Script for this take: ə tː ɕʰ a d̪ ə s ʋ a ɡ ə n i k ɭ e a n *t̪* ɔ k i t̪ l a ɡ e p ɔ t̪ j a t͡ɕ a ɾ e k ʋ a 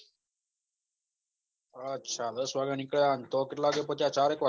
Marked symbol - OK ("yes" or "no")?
yes